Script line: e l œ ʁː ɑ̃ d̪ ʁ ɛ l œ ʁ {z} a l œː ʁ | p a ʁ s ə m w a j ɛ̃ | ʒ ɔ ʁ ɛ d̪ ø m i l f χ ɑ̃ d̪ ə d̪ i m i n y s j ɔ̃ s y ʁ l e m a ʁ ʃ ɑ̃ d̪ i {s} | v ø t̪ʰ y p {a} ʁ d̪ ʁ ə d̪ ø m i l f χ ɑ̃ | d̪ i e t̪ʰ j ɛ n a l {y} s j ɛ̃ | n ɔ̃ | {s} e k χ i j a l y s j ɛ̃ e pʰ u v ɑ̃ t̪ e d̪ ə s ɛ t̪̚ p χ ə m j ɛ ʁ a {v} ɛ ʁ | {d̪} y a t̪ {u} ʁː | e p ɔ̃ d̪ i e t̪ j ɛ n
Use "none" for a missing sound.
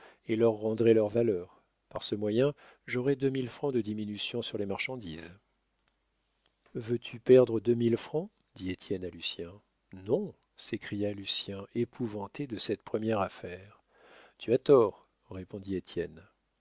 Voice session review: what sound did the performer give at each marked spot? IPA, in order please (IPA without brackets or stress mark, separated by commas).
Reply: v, z, ɛ, y, s, f, t̪, ɔ